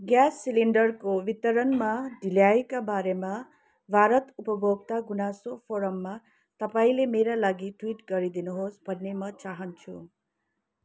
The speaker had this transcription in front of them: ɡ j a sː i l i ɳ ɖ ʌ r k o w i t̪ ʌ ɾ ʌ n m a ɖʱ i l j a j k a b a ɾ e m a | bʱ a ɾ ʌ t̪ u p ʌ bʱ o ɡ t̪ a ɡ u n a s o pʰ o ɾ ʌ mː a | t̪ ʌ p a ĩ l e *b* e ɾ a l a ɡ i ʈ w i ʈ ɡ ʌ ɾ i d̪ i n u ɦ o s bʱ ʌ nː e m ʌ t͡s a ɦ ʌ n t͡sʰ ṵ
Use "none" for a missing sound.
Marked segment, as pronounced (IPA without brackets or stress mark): m